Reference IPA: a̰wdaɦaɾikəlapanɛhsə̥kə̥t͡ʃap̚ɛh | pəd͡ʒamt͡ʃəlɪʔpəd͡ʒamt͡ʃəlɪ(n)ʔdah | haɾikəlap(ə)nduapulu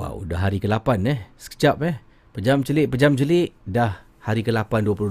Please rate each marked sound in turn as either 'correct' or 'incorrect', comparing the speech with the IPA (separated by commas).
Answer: incorrect, incorrect